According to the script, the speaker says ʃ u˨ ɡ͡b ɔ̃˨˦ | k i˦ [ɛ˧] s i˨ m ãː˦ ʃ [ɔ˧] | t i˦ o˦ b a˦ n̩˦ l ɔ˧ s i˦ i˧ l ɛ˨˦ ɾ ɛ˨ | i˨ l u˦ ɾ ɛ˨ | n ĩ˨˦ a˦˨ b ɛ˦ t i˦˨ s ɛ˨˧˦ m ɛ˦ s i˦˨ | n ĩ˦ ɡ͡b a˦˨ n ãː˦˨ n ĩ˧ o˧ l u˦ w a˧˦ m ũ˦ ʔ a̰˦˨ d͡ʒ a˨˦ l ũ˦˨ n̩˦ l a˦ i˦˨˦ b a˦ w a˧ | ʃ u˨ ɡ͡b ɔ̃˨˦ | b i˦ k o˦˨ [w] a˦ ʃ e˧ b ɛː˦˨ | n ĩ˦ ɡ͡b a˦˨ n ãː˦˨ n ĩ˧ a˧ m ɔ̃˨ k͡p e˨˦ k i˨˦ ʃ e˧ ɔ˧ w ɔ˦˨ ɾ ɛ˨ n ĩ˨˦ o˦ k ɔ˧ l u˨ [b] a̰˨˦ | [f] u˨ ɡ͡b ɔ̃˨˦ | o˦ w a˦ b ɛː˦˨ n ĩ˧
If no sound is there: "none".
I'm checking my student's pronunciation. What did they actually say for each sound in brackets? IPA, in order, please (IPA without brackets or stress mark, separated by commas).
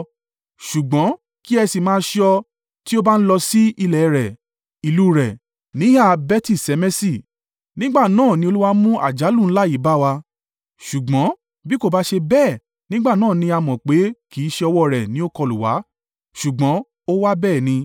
ɛ˧, ɔ˧, b, w, ʃ